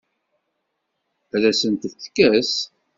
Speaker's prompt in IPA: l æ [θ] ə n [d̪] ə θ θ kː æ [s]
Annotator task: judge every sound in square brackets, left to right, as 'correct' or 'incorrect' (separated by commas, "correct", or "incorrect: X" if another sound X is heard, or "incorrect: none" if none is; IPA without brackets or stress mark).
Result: incorrect: s, incorrect: t̪, correct